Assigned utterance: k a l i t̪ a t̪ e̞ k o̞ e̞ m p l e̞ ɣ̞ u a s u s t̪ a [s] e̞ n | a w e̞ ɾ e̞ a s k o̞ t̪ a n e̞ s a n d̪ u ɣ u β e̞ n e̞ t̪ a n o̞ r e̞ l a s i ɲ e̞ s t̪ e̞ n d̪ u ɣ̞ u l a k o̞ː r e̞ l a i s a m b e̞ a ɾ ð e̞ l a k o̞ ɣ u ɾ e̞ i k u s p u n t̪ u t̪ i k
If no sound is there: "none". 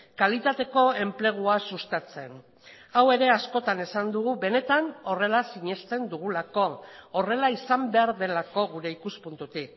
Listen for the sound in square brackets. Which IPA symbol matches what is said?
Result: t͡s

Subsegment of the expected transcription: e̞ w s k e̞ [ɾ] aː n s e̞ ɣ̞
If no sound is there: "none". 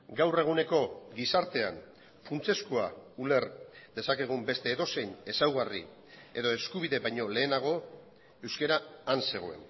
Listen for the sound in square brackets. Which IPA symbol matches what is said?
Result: ɾ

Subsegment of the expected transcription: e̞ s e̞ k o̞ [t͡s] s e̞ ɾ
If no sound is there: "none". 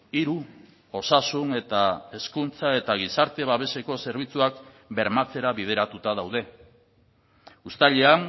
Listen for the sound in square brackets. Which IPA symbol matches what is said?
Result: none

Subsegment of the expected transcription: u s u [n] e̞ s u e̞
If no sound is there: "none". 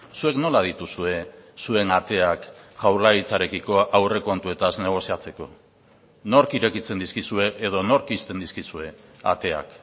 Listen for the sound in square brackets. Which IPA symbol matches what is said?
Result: none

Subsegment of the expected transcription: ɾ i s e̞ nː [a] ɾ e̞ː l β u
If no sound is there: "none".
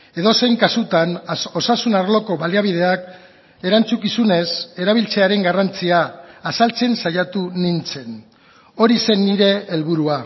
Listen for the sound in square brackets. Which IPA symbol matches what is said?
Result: i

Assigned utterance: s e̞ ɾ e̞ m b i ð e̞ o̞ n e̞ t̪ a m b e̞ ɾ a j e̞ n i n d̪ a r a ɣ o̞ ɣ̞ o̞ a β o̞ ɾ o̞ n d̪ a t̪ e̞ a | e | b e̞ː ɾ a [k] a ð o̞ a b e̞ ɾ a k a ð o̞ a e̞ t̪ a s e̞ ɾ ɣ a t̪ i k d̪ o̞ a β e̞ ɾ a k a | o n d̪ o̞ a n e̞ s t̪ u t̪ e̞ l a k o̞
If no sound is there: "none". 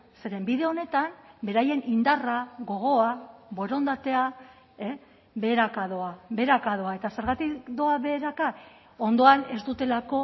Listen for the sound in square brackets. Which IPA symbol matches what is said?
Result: k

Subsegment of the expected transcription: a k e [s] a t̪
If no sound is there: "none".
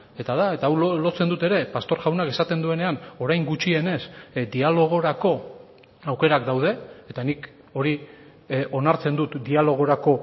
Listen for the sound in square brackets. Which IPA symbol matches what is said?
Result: s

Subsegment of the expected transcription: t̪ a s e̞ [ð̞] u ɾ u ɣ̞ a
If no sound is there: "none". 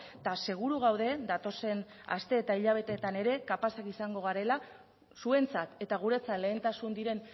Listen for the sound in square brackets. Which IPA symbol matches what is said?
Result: ɣ̞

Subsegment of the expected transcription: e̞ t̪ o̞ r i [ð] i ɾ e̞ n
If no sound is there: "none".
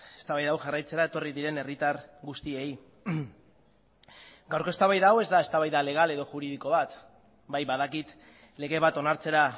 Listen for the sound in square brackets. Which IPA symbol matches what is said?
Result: ð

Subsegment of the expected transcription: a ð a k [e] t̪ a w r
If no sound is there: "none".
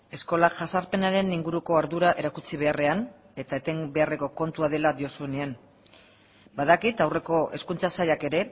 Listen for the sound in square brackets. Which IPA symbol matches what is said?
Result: i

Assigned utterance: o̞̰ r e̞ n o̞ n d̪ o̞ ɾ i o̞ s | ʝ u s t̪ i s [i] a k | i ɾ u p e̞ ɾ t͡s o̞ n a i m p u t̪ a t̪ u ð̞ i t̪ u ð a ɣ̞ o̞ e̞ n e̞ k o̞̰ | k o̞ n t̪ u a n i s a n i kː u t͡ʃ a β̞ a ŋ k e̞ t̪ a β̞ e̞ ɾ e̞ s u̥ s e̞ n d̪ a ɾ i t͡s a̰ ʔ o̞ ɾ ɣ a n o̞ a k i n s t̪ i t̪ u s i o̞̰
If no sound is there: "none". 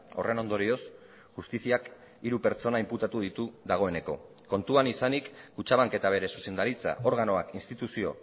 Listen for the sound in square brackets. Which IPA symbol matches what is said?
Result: i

